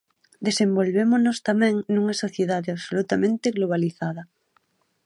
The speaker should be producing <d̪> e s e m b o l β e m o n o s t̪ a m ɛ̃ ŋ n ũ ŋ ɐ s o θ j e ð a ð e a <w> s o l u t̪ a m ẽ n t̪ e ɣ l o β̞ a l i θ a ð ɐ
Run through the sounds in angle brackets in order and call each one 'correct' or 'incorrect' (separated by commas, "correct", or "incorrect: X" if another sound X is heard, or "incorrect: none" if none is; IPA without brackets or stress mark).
correct, incorrect: β